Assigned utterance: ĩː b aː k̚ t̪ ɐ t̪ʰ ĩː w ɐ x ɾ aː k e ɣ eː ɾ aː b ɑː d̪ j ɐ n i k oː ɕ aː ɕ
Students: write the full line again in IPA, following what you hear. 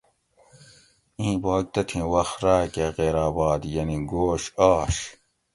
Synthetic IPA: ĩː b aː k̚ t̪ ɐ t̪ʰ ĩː w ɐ x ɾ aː k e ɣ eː ɾ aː b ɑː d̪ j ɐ n i ɡ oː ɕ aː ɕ